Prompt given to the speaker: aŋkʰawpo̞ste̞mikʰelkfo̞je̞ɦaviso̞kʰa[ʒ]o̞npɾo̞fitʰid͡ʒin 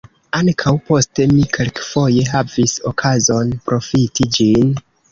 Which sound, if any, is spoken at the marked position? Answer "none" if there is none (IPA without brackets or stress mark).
z